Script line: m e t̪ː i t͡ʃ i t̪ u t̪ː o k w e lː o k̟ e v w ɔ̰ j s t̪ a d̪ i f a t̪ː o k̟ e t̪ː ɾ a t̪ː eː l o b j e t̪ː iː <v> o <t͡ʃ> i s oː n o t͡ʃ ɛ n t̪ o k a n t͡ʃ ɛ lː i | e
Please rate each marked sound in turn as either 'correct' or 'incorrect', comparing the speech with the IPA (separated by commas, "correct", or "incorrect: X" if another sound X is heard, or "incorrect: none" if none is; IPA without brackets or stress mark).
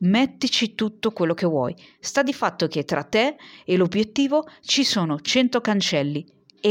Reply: correct, correct